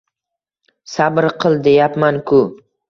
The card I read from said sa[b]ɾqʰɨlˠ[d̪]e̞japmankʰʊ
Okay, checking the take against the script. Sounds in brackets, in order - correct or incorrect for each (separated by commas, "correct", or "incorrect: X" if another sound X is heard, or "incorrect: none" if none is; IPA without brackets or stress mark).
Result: correct, correct